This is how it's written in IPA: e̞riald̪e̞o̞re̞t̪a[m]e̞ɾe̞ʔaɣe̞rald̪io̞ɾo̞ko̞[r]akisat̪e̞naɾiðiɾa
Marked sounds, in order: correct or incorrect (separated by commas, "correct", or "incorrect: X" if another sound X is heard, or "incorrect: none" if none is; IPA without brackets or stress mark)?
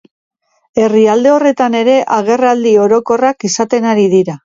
incorrect: n, correct